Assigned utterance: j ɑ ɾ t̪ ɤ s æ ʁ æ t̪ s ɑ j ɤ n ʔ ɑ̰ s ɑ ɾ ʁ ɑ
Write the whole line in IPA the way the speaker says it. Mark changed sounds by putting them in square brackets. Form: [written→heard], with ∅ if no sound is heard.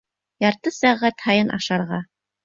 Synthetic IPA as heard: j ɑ ɾ t̪ ɤ s æ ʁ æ t̪ [s→h] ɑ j ɤ n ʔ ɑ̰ [s→ʃ] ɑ ɾ ʁ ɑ